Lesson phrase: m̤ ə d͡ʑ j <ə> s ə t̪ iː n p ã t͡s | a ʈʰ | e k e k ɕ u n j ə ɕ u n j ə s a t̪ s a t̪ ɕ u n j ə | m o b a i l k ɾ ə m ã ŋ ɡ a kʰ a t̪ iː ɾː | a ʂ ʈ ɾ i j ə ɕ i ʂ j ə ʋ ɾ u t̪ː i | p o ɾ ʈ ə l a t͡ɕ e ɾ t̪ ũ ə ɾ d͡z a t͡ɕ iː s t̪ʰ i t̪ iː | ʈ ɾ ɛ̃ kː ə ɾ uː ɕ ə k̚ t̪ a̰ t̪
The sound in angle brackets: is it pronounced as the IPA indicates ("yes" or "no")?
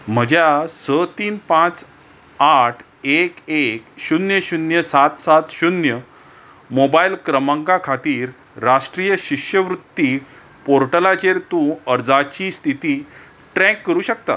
no